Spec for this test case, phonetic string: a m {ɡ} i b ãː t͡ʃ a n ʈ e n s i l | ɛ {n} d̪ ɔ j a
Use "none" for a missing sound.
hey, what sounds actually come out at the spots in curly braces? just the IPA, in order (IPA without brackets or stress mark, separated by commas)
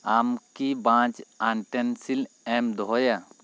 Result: k, m